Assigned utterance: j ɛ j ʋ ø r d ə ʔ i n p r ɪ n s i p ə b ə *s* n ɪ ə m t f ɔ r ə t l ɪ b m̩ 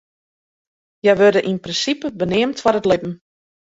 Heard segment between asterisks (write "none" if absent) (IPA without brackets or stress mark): none